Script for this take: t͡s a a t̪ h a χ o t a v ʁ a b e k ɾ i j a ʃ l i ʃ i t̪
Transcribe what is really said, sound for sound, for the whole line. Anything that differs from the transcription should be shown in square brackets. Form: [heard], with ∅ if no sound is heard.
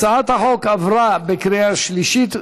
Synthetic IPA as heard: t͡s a a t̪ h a [ħ] o [k] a v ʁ a b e k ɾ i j a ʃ l i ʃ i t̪